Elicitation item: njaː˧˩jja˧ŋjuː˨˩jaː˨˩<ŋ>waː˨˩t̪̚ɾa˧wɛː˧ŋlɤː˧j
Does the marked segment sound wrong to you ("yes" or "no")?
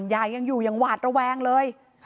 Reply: no